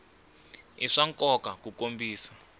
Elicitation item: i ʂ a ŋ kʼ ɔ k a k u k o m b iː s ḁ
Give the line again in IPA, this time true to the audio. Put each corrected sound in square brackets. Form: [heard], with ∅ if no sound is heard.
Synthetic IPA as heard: i ʂ a ŋ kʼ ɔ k a k u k o m b iː s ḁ